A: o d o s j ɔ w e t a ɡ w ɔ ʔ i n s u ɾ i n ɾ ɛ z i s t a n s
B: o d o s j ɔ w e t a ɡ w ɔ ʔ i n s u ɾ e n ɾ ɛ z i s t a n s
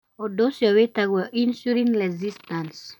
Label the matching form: A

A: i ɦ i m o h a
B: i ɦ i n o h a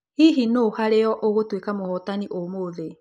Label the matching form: B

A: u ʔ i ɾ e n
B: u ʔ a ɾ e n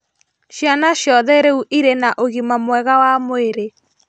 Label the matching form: A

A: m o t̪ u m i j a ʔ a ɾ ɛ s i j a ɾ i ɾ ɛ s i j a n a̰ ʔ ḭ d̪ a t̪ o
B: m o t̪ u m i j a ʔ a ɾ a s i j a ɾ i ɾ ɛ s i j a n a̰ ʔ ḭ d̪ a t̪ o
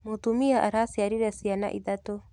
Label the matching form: B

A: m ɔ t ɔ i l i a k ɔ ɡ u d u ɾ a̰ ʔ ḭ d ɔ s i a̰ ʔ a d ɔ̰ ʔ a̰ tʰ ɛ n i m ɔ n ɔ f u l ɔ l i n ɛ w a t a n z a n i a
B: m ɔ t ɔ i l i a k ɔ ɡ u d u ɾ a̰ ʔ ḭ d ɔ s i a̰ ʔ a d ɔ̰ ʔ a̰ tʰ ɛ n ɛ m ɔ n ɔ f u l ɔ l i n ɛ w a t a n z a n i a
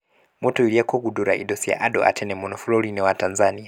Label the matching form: B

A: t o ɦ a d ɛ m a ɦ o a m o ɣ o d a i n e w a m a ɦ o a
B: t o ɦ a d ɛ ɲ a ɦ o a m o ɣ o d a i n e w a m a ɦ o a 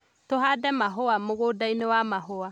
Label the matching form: A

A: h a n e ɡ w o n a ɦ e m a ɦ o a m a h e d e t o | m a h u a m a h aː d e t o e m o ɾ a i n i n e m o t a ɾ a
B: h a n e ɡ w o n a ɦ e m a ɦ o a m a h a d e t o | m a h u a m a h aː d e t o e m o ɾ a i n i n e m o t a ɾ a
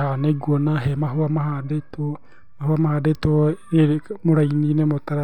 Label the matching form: B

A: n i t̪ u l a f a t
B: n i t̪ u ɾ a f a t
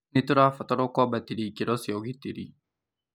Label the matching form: B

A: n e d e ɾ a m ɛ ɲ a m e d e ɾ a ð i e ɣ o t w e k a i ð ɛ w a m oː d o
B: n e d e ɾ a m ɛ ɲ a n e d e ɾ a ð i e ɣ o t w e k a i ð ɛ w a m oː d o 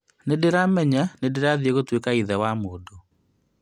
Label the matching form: B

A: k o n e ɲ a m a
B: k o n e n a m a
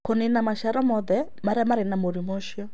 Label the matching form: B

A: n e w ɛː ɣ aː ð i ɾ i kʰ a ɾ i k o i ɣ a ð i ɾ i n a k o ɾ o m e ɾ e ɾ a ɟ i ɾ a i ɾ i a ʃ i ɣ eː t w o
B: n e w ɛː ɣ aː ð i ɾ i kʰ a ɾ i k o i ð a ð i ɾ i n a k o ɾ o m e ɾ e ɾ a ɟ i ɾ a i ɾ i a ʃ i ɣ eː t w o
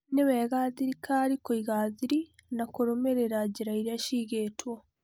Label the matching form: A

